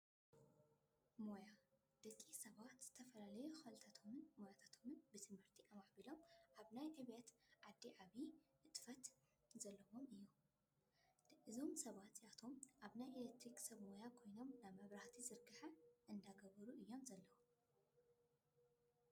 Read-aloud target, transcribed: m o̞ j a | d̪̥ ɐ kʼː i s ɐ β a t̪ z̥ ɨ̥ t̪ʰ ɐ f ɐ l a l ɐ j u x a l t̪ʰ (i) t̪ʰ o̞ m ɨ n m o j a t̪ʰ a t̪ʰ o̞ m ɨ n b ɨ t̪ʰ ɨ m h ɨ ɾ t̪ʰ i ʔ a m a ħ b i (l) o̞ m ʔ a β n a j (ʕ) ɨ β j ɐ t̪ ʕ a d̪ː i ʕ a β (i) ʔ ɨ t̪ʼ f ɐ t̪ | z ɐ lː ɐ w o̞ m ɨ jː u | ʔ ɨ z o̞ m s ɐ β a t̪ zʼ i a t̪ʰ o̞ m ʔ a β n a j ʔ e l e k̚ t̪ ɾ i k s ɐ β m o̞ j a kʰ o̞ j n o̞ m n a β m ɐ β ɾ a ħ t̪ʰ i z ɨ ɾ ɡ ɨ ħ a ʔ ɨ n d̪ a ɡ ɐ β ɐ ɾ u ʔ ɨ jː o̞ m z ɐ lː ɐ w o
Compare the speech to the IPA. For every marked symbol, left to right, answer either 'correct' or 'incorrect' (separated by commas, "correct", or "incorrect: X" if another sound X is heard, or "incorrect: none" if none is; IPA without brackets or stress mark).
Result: incorrect: a, correct, correct, correct